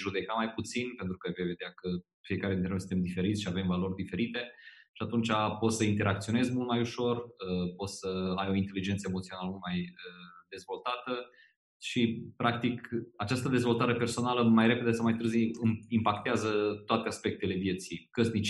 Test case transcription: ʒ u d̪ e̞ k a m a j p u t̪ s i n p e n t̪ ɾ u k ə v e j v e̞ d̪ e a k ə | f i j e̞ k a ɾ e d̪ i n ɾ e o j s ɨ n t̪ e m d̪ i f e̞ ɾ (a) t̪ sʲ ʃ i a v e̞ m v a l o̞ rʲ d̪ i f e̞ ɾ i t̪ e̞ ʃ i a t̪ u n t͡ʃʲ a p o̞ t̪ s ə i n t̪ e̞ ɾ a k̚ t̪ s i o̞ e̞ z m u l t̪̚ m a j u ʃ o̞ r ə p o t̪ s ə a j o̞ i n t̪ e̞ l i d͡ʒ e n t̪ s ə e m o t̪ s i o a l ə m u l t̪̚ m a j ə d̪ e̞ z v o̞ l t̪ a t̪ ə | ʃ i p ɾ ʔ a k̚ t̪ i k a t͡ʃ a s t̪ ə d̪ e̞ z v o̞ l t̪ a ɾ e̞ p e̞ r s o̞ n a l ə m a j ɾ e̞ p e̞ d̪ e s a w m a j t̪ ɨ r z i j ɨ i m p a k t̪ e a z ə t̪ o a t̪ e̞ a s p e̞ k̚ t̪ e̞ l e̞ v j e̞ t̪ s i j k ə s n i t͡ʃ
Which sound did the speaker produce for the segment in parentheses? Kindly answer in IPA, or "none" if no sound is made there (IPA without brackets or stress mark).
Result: i